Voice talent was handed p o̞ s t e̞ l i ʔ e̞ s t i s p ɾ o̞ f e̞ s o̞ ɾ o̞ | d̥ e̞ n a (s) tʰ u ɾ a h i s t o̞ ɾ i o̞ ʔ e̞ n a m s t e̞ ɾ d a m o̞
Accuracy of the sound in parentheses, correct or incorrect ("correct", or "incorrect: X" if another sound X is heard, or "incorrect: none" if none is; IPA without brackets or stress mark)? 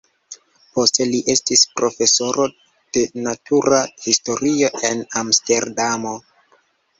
incorrect: none